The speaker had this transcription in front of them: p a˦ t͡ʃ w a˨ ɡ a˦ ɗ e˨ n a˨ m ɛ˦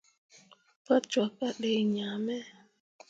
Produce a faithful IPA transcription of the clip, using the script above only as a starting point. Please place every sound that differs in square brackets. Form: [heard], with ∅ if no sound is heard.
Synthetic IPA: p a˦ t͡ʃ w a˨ [k] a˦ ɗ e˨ [ɲ] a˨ m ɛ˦